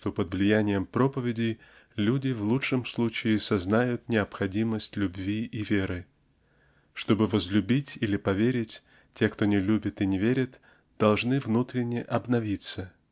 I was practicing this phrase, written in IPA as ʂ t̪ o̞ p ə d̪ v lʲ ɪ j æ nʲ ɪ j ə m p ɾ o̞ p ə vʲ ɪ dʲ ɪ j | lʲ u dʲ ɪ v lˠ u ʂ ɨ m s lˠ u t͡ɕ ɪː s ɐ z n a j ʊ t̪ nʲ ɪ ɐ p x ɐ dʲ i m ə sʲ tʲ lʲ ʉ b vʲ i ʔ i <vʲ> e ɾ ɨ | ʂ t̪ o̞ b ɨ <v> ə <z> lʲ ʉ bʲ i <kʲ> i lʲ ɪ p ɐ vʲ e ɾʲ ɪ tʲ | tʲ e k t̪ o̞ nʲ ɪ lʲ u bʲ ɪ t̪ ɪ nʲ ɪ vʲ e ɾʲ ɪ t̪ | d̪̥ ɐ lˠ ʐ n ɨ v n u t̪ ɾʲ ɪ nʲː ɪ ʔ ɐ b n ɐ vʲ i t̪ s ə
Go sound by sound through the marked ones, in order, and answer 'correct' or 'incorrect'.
correct, correct, correct, incorrect: tʲ

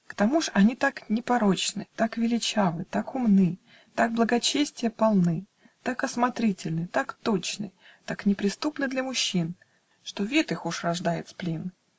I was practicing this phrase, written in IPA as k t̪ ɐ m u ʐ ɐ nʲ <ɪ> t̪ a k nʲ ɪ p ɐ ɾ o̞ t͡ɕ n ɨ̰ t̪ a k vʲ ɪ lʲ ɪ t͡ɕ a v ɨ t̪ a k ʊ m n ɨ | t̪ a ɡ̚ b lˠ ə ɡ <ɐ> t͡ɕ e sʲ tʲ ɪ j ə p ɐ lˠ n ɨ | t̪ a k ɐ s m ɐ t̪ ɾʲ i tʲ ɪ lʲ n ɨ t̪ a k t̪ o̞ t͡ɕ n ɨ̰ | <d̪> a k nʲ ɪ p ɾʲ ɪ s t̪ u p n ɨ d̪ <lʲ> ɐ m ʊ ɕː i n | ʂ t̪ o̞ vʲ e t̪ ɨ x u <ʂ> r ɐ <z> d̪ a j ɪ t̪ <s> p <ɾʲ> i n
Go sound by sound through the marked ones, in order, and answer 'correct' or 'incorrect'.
incorrect: i, correct, incorrect: t̪, correct, correct, incorrect: ʐ, correct, incorrect: lʲ

